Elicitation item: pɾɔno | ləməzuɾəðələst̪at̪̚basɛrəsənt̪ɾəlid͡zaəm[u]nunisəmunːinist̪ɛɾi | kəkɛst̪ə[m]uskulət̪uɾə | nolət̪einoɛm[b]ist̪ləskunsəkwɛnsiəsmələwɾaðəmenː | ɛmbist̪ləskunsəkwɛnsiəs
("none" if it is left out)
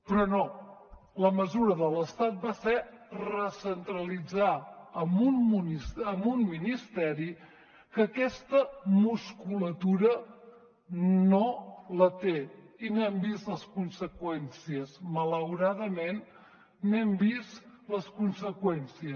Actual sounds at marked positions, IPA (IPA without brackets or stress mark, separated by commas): u, m, b